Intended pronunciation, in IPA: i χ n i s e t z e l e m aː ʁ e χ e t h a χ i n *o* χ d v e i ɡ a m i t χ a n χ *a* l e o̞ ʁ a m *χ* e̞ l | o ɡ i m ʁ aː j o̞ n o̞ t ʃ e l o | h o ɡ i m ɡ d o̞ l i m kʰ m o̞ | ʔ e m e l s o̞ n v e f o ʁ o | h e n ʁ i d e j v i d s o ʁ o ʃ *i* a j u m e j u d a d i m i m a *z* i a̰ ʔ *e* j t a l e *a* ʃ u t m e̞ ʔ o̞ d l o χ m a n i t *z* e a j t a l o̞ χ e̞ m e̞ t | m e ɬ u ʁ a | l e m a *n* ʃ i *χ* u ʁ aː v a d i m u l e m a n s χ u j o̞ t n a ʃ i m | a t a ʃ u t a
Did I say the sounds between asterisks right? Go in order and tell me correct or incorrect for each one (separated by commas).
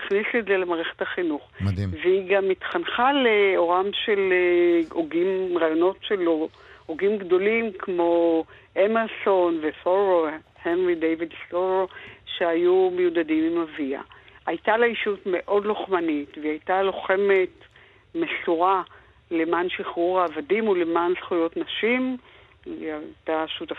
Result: incorrect, correct, incorrect, incorrect, incorrect, incorrect, incorrect, incorrect, correct, correct